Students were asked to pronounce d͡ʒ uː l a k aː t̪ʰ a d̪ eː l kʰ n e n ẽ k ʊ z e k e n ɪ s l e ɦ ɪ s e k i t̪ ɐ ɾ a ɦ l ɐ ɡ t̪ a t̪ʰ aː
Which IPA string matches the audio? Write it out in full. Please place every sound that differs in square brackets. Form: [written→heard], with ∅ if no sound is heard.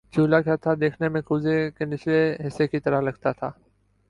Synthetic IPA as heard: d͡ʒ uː l a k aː t̪ʰ a d̪ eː [l→∅] kʰ n e [n→m] ẽ k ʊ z e k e n ɪ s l e ɦ ɪ s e k i t̪ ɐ ɾ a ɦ l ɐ ɡ t̪ a t̪ʰ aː